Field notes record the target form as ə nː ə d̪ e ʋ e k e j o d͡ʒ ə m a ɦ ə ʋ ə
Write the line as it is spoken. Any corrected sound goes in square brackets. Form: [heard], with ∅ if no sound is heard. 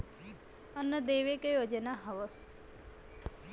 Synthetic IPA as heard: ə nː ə d̪ e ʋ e k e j o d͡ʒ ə [n] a ɦ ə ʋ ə